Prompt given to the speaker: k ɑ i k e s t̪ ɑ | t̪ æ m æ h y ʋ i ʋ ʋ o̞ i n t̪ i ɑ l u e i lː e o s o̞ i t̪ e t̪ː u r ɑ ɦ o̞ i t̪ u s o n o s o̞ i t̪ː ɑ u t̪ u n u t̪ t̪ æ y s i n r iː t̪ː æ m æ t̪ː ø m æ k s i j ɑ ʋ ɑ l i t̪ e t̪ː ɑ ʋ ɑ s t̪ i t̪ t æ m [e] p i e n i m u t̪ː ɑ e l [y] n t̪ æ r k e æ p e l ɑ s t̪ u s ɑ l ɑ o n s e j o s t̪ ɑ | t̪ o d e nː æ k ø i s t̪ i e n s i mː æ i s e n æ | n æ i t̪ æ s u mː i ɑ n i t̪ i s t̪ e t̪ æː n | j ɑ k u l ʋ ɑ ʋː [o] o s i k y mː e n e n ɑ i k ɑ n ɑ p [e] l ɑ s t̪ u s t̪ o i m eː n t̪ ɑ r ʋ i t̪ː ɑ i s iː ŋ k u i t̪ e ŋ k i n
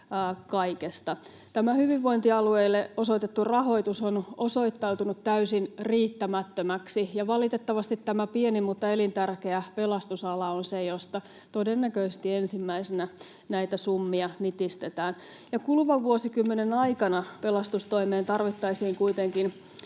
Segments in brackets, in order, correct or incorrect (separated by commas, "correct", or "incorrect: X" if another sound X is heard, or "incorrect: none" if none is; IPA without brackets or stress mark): incorrect: æ, incorrect: i, incorrect: u, correct